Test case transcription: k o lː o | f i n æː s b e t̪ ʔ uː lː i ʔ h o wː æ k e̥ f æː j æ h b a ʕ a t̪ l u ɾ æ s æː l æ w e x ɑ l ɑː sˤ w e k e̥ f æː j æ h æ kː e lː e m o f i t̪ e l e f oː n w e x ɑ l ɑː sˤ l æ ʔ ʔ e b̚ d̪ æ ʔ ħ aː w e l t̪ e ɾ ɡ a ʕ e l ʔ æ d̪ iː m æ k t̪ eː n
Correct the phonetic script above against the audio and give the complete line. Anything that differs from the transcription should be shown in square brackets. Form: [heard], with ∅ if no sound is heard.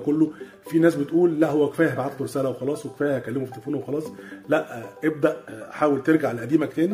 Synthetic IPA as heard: k o lː o | f i n æː s b e t̪ ʔ uː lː [æ] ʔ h o wː æ k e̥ f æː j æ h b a ʕ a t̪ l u ɾ [e] s æː l æ w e x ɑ l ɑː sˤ w e k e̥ f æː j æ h æ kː [æ] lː e m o f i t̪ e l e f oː n w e x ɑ l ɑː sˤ l æ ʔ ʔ e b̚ d̪ æ ʔ ħ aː w e l t̪ e ɾ ɡ a ʕ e l ʔ æ d̪ iː m æ k t̪ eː n